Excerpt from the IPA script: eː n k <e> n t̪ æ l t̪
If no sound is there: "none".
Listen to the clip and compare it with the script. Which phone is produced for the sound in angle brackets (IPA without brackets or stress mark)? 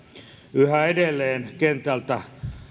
e